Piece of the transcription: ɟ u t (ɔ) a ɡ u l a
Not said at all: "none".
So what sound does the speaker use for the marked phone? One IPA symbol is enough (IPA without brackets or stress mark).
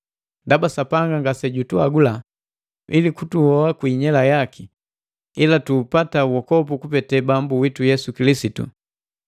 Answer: u